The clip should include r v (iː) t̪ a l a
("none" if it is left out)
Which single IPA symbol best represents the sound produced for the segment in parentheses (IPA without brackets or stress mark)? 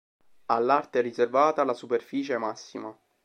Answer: aː